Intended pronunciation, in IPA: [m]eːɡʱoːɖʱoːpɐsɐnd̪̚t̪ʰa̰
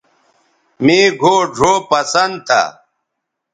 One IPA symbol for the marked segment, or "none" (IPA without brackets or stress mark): m